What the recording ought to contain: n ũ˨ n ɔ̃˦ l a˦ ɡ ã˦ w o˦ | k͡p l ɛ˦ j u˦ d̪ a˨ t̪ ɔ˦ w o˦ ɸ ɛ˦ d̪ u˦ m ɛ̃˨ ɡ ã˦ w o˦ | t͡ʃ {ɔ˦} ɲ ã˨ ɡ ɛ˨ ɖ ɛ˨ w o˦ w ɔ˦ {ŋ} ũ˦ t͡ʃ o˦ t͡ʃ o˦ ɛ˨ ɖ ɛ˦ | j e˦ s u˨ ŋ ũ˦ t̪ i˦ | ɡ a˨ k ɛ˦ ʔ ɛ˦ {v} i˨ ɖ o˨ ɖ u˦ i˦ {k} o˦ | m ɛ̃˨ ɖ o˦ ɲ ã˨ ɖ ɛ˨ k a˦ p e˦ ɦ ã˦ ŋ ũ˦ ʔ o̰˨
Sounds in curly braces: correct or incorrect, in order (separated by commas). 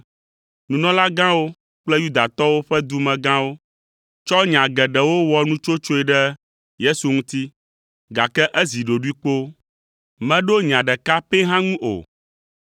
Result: correct, incorrect, incorrect, incorrect